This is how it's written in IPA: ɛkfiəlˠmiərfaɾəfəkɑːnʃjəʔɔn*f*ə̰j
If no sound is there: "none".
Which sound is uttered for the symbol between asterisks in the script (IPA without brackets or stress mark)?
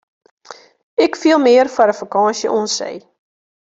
s